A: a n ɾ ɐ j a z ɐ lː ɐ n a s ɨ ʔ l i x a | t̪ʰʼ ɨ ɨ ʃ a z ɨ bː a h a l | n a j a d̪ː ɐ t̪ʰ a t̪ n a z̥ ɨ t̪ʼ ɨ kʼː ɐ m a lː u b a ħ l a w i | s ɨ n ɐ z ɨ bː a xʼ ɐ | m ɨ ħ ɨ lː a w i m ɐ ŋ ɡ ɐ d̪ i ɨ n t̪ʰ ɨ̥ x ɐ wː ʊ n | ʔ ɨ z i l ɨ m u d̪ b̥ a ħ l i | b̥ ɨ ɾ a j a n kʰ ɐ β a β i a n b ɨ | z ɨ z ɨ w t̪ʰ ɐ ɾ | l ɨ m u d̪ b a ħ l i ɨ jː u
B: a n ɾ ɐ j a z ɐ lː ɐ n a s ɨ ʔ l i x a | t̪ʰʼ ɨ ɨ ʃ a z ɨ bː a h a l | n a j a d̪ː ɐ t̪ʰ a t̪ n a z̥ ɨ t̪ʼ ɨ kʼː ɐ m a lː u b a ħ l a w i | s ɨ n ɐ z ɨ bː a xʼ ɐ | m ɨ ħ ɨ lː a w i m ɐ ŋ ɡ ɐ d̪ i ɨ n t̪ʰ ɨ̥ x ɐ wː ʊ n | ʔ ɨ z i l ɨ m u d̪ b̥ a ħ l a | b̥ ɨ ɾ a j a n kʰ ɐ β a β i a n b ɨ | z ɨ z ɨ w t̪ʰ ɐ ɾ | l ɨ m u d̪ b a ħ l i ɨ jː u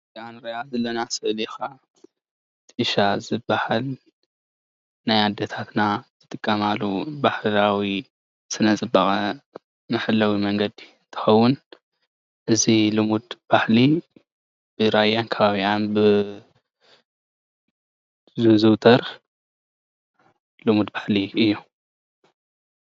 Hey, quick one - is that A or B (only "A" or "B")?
A